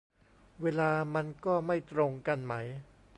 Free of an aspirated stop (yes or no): yes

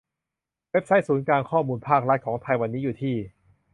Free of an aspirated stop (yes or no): no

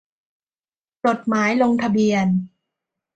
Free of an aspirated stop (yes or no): no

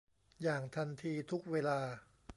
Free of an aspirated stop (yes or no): no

